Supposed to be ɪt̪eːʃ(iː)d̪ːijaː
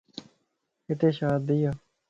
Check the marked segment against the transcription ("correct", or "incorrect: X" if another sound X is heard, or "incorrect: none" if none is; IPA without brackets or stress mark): incorrect: aː